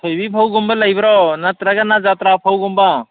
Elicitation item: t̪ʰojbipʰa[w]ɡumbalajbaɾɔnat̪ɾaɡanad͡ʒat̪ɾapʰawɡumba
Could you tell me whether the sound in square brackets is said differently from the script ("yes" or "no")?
no